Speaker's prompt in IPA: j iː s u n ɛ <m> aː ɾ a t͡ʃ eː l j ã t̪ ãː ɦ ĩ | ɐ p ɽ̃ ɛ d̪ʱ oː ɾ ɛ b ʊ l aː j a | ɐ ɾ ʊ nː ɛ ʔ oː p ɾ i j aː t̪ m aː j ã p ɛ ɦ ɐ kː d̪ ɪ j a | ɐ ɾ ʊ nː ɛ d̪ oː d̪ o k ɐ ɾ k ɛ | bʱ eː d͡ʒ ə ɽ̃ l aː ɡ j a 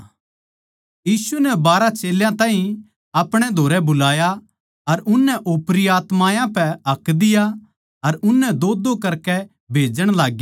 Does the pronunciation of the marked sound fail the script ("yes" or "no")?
yes